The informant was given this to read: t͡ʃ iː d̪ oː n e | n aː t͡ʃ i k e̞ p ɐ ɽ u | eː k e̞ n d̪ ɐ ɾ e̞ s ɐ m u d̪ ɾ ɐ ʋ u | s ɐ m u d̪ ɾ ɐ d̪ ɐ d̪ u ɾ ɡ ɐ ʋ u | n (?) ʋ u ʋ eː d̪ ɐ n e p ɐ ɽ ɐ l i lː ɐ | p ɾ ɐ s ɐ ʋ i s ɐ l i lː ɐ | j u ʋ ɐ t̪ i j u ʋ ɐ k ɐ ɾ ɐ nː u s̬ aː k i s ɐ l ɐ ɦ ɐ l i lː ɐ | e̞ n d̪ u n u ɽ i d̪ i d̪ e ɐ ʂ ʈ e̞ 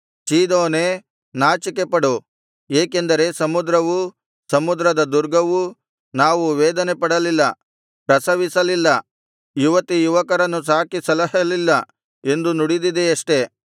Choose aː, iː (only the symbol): aː